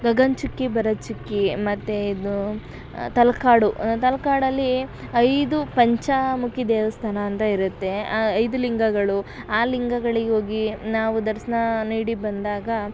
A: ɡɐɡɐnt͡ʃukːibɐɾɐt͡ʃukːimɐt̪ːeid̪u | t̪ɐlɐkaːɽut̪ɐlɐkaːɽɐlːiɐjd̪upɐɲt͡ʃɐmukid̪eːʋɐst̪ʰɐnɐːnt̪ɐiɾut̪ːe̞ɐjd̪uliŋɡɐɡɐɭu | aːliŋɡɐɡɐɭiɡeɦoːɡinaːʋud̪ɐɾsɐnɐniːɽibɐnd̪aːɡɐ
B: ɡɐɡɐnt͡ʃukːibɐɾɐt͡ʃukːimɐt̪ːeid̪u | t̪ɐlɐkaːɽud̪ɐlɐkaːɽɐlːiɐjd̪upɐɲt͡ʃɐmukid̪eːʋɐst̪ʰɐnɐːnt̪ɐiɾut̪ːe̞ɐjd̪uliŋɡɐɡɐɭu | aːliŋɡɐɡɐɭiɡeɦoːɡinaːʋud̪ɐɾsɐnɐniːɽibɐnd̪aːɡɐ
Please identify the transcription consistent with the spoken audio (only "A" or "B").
A